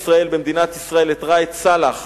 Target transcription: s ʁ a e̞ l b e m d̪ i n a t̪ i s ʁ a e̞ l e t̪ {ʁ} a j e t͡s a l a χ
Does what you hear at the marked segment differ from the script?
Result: no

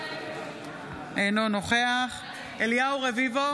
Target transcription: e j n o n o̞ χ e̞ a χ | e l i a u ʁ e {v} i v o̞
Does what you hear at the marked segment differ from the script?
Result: no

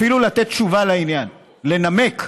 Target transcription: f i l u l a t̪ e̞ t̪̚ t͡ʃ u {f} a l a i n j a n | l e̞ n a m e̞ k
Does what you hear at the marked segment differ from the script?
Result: yes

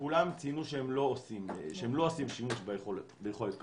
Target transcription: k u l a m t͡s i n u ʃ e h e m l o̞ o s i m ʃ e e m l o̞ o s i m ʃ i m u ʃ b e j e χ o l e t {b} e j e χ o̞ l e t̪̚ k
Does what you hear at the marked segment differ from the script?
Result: no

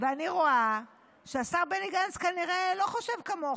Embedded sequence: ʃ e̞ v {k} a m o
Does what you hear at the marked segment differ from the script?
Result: no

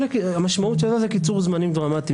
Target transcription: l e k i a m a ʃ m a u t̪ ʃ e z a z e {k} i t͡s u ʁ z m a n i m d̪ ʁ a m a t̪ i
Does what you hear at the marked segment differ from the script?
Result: no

